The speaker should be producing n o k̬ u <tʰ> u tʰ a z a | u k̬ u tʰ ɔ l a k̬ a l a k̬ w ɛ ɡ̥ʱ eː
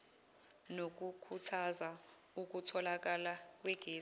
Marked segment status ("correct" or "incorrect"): incorrect